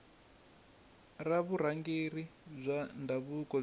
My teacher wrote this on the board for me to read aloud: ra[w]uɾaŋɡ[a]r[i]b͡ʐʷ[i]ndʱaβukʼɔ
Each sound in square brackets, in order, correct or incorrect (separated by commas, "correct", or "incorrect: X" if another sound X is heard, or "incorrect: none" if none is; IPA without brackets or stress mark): incorrect: β, incorrect: e, correct, incorrect: a